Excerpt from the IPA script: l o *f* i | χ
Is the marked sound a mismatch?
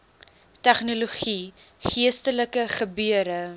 yes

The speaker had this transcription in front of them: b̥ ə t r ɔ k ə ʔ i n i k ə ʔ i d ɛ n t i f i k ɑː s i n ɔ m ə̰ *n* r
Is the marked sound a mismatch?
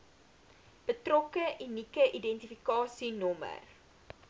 yes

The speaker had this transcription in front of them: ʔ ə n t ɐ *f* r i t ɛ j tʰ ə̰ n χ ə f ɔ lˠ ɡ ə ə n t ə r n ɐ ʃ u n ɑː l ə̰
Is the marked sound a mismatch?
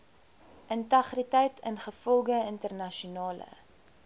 yes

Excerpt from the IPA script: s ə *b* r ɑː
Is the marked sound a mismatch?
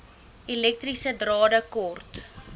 yes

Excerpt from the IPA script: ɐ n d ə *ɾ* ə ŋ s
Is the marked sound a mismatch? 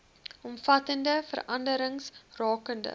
no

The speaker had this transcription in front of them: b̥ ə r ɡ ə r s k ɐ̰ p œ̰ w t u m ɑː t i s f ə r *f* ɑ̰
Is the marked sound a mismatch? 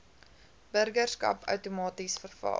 no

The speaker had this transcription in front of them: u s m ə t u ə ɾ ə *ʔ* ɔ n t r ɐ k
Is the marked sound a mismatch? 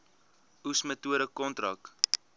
yes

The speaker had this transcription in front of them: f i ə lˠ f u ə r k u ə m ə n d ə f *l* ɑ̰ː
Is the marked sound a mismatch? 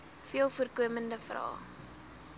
yes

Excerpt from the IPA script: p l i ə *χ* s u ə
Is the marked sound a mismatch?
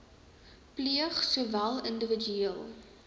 no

